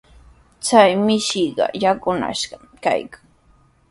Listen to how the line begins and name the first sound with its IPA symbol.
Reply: t͡s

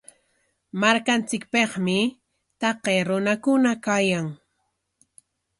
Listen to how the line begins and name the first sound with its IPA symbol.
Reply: m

